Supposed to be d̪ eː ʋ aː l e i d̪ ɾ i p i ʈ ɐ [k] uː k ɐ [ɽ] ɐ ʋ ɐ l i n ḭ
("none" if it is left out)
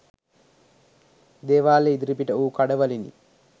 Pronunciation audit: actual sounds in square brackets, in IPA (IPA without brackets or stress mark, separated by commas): none, ɽ